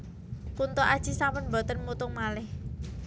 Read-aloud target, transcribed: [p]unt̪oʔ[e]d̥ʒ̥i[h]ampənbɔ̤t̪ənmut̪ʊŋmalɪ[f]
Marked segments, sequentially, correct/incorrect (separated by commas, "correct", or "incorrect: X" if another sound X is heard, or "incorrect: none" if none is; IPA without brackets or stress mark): incorrect: k, incorrect: a, incorrect: s, incorrect: h